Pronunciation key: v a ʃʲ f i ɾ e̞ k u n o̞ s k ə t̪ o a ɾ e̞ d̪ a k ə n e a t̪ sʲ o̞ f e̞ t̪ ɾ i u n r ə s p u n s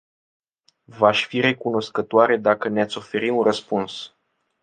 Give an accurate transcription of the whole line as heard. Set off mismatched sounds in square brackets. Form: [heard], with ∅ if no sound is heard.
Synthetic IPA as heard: v a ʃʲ f i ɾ e̞ k u n o̞ s k ə t̪ o a ɾ e̞ d̪ a k ə n e a t̪ sʲ o̞ f e̞ [∅] ɾ i u n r ə s p u n s